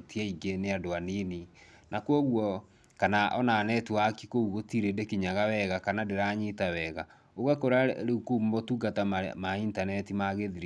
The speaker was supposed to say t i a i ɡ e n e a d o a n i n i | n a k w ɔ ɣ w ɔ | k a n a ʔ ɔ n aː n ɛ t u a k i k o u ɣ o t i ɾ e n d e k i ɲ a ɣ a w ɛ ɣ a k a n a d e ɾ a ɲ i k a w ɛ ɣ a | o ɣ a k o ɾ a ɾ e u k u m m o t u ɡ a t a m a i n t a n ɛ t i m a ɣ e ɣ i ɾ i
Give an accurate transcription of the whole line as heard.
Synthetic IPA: t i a i ɡ e n e a d o a n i n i | n a k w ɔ ɣ w ɔ | k a n a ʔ ɔ n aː n ɛ t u a k i k o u ɣ o t i ɾ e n d e k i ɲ a ɣ a w ɛ ɣ a k a n a d e ɾ a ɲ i t a w ɛ ɣ a | o ɣ a k o ɾ a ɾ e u k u m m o t u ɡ a t a m a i n t a n ɛ t i m a ɣ e ð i ɾ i